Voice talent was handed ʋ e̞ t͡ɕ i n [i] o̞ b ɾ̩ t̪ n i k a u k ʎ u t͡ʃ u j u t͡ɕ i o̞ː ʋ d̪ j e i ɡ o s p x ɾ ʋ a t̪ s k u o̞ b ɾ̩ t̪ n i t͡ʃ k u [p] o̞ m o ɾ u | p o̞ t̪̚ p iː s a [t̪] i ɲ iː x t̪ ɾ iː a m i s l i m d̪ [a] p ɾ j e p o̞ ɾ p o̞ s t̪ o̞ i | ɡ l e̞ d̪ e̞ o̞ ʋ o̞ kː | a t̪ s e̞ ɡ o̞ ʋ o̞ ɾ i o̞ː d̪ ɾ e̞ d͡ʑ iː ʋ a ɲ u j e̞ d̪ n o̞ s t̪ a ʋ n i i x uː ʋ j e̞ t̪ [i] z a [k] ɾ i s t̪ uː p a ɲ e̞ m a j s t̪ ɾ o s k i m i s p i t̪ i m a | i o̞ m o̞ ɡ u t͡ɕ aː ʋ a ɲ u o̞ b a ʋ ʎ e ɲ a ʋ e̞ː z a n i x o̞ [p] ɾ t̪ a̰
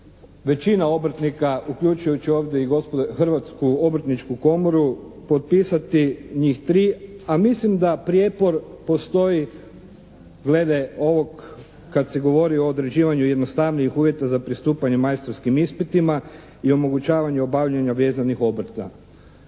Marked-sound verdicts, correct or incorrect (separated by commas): incorrect, incorrect, correct, correct, incorrect, incorrect, incorrect